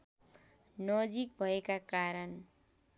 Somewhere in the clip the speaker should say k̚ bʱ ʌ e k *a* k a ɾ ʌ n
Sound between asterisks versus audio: correct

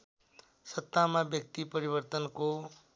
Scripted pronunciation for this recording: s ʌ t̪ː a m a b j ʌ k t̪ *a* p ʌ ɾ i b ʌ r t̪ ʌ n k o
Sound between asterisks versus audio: incorrect: i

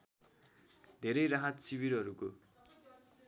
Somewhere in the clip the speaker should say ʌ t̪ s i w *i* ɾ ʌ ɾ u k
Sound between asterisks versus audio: correct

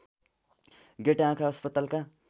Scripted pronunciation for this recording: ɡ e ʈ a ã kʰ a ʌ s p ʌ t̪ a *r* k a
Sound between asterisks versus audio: incorrect: l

